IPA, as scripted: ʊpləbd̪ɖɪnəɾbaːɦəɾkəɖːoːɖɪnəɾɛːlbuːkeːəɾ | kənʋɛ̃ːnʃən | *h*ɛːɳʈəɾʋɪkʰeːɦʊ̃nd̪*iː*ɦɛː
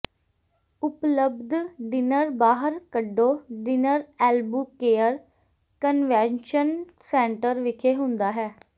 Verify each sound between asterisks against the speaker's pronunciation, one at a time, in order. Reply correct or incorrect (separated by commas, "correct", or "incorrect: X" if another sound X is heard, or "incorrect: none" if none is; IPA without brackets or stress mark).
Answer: incorrect: s, incorrect: aː